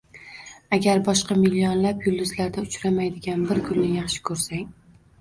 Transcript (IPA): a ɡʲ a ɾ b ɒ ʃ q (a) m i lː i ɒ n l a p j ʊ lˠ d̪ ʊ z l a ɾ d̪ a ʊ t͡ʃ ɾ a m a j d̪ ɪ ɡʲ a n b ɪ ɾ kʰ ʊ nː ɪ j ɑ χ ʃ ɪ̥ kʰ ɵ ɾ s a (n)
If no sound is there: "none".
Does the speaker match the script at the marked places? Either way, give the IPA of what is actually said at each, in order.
ɑ, ŋ

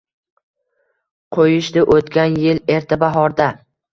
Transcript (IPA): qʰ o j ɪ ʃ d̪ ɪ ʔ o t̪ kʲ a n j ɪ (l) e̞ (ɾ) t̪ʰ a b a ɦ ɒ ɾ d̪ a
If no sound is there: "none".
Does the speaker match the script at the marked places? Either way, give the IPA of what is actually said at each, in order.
l, ɾ

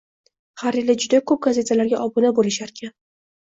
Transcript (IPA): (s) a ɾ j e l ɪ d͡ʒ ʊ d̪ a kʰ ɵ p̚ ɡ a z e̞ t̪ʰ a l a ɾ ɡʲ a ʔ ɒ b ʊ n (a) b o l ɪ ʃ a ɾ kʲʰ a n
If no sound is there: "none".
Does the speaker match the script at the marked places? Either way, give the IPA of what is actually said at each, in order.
h, a

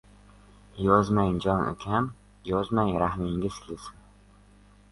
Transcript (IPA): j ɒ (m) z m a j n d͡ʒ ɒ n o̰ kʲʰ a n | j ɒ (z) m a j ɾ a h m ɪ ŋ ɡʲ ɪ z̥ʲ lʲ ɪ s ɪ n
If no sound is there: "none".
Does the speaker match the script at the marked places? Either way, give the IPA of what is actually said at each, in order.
none, z

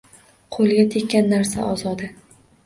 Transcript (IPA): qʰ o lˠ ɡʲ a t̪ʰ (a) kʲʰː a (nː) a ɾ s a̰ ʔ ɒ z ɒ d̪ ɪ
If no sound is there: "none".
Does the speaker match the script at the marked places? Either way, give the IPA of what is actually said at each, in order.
e, nː

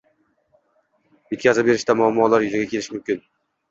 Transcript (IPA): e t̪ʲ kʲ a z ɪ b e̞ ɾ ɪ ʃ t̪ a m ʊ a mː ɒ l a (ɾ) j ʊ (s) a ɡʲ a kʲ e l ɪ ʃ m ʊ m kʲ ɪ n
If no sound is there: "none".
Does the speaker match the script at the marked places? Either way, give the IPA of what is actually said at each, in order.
ɾ, z

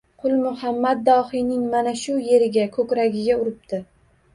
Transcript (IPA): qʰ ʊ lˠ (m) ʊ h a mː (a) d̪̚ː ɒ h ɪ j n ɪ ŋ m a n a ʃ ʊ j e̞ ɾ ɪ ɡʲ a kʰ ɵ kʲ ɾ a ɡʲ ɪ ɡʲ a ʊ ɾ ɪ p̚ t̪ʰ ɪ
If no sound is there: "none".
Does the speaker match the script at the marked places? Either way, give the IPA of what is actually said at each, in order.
m, a

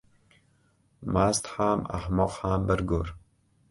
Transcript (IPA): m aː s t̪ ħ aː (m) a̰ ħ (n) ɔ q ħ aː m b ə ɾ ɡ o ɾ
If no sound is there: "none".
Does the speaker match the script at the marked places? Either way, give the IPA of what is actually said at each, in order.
m, m

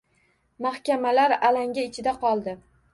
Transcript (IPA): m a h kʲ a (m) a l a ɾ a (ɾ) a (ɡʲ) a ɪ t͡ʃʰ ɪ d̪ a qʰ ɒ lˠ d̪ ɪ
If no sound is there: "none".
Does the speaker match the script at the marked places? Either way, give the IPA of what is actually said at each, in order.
m, l, ŋʲ

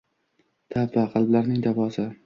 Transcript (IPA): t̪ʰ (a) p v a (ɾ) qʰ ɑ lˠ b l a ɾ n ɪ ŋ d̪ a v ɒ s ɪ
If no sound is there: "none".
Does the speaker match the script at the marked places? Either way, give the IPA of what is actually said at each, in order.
a, none

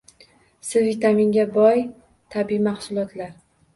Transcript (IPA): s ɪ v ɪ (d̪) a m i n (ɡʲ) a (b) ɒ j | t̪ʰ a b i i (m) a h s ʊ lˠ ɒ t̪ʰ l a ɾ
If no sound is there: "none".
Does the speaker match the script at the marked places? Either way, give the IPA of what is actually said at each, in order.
t̪, ɡʲ, b, m

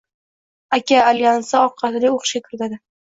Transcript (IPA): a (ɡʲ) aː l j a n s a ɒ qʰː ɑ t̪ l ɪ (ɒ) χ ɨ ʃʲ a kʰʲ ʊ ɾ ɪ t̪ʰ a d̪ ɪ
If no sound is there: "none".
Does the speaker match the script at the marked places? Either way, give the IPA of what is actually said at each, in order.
kʲ, o

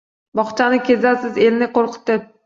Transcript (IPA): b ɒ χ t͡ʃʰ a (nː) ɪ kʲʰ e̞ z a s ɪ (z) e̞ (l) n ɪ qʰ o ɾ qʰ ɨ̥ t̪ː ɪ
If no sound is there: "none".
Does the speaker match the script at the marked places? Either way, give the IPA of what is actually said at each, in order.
n, z, l

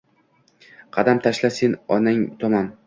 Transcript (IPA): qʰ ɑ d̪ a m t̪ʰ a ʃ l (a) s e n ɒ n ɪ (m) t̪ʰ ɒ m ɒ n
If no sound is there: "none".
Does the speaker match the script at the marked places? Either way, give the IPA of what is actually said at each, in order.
a, ŋ

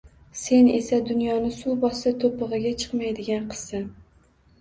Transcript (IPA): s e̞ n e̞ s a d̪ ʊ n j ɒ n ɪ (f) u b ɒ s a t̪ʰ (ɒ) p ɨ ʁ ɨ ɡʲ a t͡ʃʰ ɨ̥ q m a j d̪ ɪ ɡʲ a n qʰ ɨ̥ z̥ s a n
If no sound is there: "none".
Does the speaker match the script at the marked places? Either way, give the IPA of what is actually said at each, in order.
s, o

